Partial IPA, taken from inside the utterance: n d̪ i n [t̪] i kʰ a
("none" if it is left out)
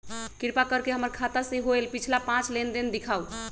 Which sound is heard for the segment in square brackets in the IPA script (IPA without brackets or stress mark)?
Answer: d̪